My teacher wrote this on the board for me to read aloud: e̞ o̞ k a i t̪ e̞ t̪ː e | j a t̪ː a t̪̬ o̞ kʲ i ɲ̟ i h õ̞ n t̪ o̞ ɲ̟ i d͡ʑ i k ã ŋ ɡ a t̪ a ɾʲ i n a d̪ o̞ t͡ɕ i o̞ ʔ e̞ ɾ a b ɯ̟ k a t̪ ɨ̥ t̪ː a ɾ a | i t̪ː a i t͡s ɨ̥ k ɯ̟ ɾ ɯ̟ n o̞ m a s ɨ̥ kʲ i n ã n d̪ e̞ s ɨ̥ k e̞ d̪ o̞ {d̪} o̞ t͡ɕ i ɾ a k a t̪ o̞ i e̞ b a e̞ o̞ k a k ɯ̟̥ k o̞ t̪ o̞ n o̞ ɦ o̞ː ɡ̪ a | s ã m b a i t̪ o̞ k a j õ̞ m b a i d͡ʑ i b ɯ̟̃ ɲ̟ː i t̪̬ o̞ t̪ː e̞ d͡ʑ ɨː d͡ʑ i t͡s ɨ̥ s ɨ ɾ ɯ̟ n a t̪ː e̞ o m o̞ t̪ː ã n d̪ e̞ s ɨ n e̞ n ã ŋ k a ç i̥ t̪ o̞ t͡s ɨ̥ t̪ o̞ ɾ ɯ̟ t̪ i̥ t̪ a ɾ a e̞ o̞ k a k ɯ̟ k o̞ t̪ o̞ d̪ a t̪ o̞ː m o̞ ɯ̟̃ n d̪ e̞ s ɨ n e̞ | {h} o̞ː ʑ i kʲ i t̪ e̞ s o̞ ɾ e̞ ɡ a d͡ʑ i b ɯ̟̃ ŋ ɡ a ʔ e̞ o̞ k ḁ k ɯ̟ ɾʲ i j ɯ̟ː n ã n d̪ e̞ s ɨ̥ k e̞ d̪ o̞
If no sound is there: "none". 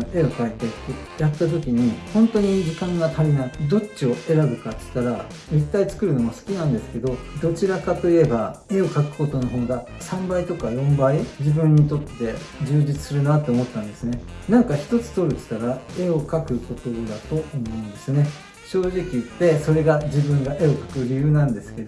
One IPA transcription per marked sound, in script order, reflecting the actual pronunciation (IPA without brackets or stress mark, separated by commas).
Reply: d̪, ɕ